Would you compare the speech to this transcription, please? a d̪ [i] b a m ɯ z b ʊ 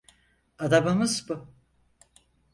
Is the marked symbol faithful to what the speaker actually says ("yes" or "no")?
no